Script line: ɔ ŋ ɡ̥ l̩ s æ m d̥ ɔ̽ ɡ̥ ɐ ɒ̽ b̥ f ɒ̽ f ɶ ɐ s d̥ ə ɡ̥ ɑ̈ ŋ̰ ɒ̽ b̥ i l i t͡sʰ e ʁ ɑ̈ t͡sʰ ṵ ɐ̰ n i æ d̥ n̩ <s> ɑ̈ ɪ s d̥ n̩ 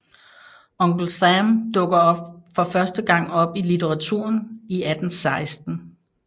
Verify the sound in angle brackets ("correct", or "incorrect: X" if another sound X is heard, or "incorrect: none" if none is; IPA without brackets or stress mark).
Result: correct